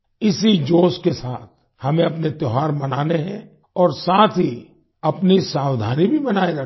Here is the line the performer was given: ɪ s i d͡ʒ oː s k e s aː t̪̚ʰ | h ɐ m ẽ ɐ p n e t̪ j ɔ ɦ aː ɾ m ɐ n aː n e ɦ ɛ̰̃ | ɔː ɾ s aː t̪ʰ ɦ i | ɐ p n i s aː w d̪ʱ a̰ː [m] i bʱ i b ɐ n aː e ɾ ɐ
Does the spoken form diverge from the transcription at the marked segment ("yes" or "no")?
yes